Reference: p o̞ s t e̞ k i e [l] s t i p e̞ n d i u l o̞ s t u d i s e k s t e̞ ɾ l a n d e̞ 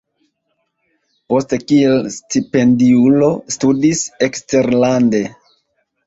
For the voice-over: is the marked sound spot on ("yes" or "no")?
yes